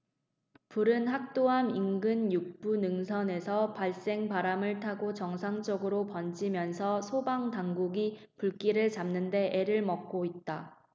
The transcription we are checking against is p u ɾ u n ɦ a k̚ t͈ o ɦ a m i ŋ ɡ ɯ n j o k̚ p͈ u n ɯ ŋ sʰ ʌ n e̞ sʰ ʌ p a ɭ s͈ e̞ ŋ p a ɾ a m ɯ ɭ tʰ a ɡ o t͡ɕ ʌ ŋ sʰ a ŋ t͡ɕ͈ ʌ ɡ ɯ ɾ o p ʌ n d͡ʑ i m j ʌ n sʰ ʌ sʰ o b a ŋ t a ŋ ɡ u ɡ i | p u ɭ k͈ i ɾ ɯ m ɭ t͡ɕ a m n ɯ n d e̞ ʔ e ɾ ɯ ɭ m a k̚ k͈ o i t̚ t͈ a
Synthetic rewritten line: p u ɾ ɯ n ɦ a k̚ t͈ o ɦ a m i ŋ ɡ ɯ n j u k̚ p͈ u n ɯ ŋ sʰ ʌ n e̞ sʰ ʌ p a ɭ s͈ e̞ ŋ p a ɾ a m ɯ ɭ tʰ a ɡ o t͡ɕ ʌ ŋ sʰ a ŋ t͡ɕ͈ ʌ ɡ ɯ ɾ o p ʌ n d͡ʑ i m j ʌ n sʰ ʌ sʰ o b a ŋ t a ŋ ɡ u ɡ i | p u ɭ k͈ i ɾ ɯ ɭ t͡ɕ a m n ɯ n d e̞ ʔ e ɾ ɯ ɭ m ʌ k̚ k͈ o i t̚ t͈ a